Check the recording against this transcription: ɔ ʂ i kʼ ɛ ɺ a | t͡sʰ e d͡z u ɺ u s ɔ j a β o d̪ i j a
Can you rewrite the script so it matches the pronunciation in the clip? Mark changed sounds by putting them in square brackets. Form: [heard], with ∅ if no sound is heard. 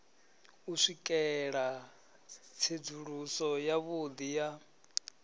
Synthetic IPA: [u] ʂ i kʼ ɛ ɺ a | t͡sʰ e d͡z u ɺ u s ɔ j a β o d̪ i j a

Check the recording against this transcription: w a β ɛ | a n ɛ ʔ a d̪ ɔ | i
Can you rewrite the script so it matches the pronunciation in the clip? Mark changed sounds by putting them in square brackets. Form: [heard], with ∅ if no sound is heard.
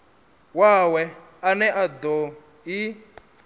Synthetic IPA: w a [w] ɛ | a n ɛ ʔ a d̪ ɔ | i

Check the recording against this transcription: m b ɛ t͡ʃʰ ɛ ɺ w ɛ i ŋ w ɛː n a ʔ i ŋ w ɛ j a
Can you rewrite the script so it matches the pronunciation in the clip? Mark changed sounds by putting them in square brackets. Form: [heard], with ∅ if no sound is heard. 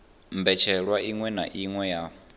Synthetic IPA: m b ɛ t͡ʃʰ ɛ ɺ w [a] i ŋ w [ɛ] n a ʔ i ŋ w ɛ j a

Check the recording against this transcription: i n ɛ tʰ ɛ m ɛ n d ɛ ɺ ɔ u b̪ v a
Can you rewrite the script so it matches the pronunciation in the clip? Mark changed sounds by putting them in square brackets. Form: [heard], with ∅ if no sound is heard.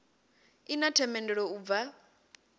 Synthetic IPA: i n [a] tʰ ɛ m ɛ n d ɛ ɺ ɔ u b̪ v a

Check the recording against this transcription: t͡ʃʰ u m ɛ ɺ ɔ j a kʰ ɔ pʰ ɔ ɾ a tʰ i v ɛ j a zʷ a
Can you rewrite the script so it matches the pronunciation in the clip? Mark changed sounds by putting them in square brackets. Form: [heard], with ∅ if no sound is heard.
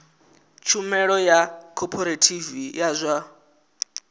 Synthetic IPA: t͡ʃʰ u m ɛ ɺ ɔ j a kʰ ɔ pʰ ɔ ɾ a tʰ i v [i] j a zʷ a

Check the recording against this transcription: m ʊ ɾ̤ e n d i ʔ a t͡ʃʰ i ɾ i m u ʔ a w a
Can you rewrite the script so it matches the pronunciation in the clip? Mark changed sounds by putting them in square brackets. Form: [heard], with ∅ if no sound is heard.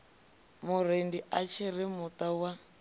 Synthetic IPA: m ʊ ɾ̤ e n d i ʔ a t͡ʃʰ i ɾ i m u [t] a w a

